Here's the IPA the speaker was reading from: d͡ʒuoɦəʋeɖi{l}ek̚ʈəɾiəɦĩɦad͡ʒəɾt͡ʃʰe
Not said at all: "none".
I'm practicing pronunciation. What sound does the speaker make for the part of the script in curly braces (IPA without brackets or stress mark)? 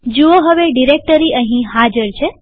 ɾ